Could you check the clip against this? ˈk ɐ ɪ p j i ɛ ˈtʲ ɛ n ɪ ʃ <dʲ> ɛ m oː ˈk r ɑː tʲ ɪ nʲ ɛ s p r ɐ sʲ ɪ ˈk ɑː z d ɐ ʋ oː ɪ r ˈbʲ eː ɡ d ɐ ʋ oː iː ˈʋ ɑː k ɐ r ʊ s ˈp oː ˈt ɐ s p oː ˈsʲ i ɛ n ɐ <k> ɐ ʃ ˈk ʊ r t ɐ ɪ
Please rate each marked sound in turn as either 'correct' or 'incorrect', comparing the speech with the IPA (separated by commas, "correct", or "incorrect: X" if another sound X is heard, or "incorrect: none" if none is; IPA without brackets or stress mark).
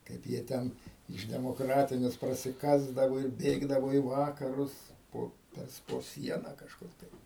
correct, correct